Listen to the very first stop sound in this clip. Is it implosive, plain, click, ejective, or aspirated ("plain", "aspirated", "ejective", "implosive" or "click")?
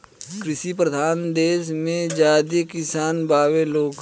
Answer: plain